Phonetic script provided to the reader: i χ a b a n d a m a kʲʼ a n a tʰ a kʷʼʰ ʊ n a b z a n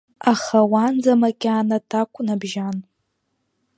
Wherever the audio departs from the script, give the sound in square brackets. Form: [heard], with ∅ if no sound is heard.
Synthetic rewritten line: [a] χ a [w] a n [d͡z] a m a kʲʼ a n a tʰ a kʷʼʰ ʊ n a b [ʒ] a n

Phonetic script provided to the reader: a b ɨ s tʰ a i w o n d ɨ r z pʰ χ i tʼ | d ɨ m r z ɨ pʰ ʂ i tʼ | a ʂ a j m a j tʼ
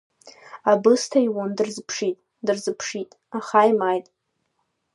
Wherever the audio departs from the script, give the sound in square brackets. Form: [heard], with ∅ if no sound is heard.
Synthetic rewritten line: a b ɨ s tʰ a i w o n d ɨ r z pʰ [ʂ] i tʼ | d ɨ [∅] r z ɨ pʰ ʂ i tʼ | a [χ] a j m a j tʼ

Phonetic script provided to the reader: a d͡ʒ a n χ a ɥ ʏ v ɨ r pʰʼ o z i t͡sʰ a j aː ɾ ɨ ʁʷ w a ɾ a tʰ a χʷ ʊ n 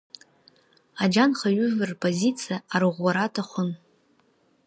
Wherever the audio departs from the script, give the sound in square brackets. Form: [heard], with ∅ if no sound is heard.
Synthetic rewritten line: a d͡ʒ a n χ a ɥ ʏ v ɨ r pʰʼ o z i t͡sʰ [i] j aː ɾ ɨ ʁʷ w a ɾ a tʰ a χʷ ʊ n

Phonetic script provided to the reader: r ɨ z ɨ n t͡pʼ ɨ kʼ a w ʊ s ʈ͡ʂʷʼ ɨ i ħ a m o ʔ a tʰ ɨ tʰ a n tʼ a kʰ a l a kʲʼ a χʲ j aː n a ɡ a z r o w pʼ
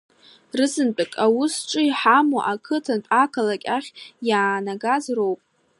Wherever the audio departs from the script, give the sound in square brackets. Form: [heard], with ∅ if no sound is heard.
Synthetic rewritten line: r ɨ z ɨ n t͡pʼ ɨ kʼ a w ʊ s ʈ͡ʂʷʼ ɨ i ħ a m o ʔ a [kʰ] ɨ tʰ a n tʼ a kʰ a l a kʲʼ a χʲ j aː n a ɡ a z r o w pʼ

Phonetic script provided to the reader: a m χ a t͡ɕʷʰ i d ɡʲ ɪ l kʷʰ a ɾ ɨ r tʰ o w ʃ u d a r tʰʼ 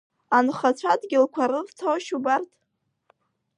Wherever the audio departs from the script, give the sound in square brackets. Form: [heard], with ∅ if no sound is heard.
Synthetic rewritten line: a [n] χ a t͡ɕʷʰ [a] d ɡʲ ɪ l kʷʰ a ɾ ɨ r tʰ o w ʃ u [b] a r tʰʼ

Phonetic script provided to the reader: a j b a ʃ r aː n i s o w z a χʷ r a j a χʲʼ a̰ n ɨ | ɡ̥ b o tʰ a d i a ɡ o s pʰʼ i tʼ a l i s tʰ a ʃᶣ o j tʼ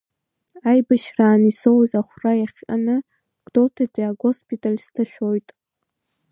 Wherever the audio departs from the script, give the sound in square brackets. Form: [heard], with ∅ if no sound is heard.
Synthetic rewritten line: a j b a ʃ r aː n i s o w z a χʷ r a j a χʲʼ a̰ n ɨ | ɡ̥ [d] o tʰ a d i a ɡ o s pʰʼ i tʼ a l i s tʰ a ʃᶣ o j tʼ

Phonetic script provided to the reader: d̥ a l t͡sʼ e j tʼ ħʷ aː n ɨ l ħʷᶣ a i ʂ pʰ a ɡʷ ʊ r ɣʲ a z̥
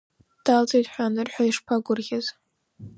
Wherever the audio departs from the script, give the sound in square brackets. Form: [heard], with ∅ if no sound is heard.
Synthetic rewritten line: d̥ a l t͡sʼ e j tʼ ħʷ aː n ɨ [r] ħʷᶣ a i ʂ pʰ a ɡʷ ʊ r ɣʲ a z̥

